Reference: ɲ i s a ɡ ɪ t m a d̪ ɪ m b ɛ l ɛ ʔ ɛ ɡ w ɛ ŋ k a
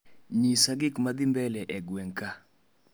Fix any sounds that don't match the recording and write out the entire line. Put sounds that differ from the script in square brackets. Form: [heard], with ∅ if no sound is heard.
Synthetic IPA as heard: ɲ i s a ɡ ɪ [k] m a d̪ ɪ m b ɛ l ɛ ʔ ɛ ɡ w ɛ ŋ k a

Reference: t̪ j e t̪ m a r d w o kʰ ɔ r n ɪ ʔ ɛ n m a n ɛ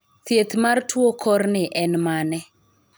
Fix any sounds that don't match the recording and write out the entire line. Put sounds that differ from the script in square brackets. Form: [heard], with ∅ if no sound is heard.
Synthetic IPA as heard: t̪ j e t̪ m a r [t] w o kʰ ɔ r n ɪ ʔ ɛ n m a n ɛ

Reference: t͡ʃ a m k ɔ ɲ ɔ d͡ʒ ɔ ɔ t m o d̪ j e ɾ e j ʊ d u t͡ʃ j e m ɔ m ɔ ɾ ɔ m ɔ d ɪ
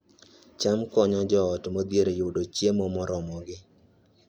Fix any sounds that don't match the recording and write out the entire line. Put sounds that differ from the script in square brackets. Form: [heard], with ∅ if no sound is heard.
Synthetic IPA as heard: t͡ʃ a m k ɔ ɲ ɔ d͡ʒ ɔ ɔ t m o d̪ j e ɾ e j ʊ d [o] t͡ʃ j e m ɔ m ɔ ɾ ɔ m ɔ [ɡ] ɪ

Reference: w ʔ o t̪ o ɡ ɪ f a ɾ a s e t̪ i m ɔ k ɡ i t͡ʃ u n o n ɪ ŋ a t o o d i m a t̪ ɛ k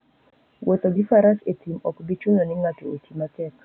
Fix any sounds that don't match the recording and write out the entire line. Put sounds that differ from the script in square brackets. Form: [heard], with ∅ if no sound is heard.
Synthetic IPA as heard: w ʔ o t̪ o ɡ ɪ f a ɾ a s e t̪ i m ɔ k [b] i t͡ʃ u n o n ɪ ŋ a t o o [t] i m a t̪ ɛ k

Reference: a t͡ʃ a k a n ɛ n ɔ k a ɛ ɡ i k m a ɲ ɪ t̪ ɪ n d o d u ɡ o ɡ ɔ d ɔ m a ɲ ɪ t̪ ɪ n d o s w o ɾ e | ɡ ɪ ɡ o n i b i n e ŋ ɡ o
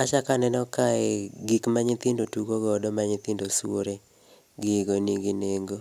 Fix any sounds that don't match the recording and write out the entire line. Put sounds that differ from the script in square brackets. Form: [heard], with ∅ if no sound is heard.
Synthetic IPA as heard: a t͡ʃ a k a n ɛ n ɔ k a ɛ ɡ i k m a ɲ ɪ t̪ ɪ n d o [t] u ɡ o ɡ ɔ d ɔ m a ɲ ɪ t̪ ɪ n d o s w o ɾ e | ɡ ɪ ɡ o n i [ɡ] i n e ŋ ɡ o

